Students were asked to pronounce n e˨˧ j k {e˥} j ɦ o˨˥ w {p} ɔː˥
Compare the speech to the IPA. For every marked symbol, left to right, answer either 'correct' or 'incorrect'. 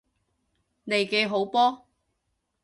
incorrect: e˨˧, correct

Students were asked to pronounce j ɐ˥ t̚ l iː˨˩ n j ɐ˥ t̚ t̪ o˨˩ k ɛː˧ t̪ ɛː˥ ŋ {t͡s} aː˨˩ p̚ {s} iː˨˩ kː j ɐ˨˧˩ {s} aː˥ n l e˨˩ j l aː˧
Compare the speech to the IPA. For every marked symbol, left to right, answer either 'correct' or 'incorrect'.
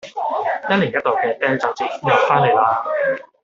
correct, incorrect: t͡s, incorrect: f

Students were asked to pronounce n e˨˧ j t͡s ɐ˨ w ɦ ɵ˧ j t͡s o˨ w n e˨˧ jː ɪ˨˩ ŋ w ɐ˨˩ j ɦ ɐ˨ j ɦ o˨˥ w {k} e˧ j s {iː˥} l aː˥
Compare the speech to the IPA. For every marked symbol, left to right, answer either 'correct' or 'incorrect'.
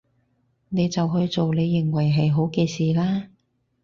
correct, incorrect: iː˨

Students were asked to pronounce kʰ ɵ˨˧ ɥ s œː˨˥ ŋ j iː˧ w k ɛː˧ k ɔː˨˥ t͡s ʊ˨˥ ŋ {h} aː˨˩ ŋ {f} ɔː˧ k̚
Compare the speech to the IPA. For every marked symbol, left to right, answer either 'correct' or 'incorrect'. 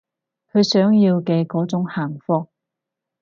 correct, correct

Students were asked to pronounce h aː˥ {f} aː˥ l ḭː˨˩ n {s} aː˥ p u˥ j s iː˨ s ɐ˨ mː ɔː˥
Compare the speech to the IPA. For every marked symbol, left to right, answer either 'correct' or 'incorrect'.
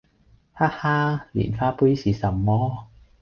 incorrect: h, incorrect: f

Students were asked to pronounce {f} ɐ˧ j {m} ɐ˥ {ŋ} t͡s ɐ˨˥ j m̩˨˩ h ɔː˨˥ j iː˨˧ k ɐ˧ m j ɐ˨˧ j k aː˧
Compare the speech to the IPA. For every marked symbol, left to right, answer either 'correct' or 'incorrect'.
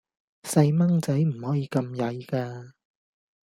incorrect: s, correct, correct

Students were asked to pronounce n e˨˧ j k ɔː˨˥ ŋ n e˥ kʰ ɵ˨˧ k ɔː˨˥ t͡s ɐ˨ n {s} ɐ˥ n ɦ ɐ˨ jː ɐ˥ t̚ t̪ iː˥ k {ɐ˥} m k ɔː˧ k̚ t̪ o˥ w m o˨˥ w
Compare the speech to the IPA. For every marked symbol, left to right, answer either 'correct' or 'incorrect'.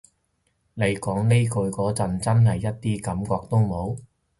incorrect: t͡s, incorrect: ɐ˨˥

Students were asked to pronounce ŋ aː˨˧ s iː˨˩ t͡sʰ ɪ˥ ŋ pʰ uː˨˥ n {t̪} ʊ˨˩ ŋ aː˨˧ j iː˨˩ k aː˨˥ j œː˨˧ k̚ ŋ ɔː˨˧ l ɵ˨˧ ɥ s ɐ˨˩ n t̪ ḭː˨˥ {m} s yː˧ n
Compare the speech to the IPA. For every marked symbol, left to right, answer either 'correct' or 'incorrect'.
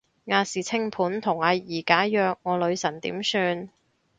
incorrect: t̪ʰ, correct

